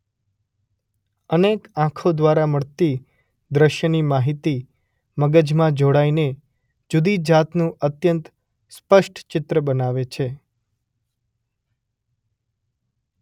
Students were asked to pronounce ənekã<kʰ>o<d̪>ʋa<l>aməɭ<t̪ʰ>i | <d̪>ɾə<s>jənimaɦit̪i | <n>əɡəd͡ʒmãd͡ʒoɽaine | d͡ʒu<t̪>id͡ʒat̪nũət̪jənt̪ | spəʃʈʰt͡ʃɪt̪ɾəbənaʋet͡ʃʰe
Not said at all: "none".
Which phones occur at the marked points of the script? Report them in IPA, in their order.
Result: kʰ, d̪, ɾ, t̪, d̪, ʃ, m, d̪

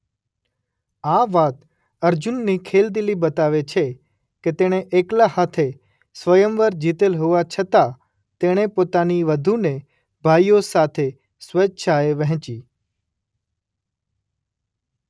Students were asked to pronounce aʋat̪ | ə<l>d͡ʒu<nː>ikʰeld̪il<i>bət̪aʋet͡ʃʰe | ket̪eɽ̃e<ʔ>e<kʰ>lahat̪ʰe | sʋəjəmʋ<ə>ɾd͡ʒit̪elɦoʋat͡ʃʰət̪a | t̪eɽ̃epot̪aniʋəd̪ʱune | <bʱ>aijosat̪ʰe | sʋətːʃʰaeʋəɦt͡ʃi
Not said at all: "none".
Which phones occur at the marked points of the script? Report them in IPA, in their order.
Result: ɾ, nː, i, ʔ, k, ə, bʱ

